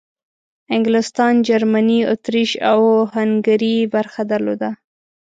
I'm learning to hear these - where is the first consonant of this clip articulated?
velum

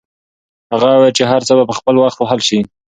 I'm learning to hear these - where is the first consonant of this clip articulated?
throat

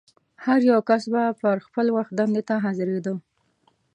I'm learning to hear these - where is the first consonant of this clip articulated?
throat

